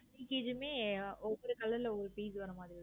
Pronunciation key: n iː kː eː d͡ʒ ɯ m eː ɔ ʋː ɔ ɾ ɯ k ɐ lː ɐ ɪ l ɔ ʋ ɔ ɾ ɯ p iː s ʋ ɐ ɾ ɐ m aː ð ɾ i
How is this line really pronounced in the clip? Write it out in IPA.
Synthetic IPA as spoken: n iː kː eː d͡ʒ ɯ m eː ɔ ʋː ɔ ɾ ɯ k ɐ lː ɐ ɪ l ɔ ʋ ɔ ɾ ɯ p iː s ʋ ɐ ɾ ɐ m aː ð ɾ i